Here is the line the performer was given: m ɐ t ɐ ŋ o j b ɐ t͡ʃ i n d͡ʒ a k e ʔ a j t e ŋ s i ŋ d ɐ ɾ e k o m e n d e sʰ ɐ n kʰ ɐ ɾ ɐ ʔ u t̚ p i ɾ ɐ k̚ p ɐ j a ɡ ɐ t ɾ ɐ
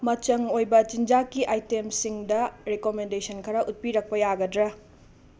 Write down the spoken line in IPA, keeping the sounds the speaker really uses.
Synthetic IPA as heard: m ɐ t͡ʃ ɐ ŋ o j b ɐ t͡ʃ i n d͡ʒ a k i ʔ a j t e m s i ŋ d ɐ ɾ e k o m e n d e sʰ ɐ n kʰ ɐ ɾ ɐ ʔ u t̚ p i ɾ ɐ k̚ p ɐ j a ɡ ɐ d ɾ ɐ